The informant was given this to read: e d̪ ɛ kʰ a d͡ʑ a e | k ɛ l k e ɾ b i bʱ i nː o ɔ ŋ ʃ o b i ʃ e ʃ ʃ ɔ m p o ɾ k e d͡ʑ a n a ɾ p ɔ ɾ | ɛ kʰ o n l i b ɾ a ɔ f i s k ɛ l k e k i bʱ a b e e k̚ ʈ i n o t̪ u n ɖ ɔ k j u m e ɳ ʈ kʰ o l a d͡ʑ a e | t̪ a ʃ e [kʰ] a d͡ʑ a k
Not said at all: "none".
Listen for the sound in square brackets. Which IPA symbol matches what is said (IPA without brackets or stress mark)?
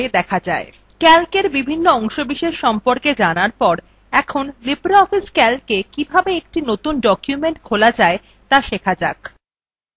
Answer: kʰ